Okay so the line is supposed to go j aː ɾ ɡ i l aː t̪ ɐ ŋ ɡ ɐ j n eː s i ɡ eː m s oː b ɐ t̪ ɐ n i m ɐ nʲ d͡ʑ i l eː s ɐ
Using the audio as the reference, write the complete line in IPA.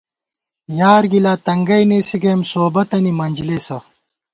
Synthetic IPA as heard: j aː ɾ ɡ i l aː t̪ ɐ ŋ ɡ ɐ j n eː s i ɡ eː m s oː b ɐ t̪ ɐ n i m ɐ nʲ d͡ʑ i l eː s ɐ